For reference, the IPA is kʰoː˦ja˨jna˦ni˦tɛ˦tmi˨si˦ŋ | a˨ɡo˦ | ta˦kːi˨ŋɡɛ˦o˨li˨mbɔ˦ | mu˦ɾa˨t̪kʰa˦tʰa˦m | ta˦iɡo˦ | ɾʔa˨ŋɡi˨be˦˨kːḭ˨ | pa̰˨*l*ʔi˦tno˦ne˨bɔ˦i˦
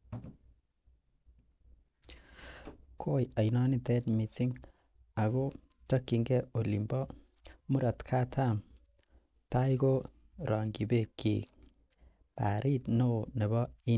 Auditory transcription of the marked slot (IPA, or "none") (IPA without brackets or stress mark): ɾ